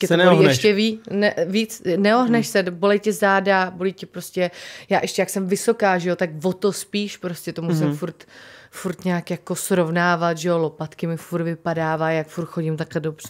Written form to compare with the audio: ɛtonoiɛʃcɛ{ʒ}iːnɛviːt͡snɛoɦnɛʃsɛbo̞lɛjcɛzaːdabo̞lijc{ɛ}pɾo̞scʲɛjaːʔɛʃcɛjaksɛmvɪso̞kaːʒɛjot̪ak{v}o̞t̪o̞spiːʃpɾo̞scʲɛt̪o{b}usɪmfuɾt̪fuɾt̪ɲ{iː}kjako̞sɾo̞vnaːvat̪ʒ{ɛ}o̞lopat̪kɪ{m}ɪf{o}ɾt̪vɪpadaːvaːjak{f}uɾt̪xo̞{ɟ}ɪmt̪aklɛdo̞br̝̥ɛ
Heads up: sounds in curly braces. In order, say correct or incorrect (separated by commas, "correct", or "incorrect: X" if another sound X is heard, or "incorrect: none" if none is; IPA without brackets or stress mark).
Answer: incorrect: v, correct, correct, incorrect: m, incorrect: aː, correct, correct, incorrect: u, correct, correct